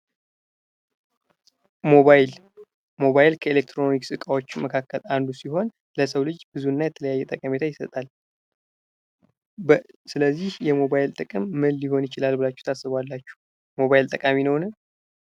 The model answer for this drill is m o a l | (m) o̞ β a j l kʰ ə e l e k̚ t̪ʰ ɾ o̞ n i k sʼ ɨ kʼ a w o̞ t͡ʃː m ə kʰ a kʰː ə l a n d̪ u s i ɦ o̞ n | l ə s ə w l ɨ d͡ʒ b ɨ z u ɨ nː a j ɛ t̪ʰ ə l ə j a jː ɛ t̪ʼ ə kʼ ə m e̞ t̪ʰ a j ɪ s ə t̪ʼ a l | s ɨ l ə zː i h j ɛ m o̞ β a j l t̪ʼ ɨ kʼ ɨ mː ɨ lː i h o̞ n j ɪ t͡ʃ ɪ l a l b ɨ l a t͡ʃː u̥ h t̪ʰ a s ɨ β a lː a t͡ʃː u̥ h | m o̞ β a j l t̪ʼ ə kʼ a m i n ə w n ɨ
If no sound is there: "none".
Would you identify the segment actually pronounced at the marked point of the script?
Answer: m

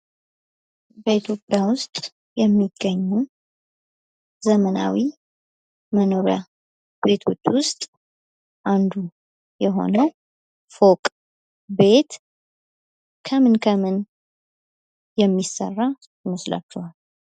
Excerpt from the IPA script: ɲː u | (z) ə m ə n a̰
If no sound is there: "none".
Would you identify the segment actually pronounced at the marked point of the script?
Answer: z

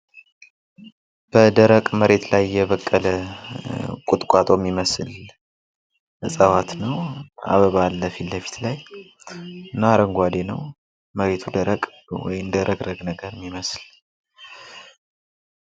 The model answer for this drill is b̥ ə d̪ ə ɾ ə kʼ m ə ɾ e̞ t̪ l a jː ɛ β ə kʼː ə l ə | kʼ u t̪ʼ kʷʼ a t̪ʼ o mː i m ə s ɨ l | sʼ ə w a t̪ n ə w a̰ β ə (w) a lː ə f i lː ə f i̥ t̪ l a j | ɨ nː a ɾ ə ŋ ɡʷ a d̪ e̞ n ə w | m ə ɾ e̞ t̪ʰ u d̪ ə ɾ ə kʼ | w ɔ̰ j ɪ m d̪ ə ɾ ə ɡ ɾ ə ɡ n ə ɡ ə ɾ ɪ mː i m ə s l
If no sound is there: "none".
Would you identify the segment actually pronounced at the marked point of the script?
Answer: β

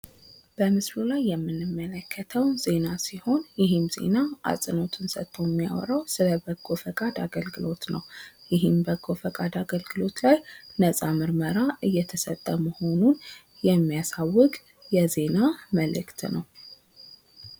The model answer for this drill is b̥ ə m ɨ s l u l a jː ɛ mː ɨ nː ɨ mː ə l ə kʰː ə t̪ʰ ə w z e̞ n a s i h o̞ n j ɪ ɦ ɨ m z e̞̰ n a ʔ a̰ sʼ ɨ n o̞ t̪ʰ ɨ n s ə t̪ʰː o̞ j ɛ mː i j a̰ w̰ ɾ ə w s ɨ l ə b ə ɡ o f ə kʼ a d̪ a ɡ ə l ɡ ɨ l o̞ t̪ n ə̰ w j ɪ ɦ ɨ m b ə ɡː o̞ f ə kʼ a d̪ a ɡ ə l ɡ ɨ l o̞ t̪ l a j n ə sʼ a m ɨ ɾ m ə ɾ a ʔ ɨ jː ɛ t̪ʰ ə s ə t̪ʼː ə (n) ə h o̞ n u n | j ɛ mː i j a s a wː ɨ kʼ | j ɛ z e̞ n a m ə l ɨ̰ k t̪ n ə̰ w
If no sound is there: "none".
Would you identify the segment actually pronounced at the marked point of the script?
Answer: m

